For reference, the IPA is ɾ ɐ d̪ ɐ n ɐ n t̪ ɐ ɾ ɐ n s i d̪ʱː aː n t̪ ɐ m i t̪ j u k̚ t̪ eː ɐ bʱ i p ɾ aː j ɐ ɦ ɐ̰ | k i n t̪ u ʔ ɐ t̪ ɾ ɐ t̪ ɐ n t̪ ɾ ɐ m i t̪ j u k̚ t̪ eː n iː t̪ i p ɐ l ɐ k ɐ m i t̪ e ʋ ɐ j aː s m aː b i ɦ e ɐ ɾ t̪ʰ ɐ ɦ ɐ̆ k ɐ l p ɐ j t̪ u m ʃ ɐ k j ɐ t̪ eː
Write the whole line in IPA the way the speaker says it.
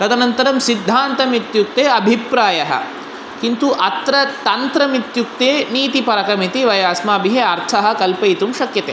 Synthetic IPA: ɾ ɐ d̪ ɐ n ɐ n t̪ ɐ ɾ ɐ m s i d̪ʱː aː n t̪ ɐ m i t̪ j u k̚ t̪ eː ɐ bʱ i p ɾ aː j ɐ ɦ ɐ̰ | k i n t̪ u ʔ ɐ t̪ ɾ ɐ t̪ ɐ n t̪ ɾ ɐ m i t̪ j u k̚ t̪ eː n iː t̪ i p ɐ ɾ ɐ k ɐ m i t̪ i ʋ ɐ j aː s m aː b i ɦ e ɐ ɾ t̪ʰ ɐ ɦ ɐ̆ k ɐ l p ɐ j t̪ u m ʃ ɐ k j ɐ t̪ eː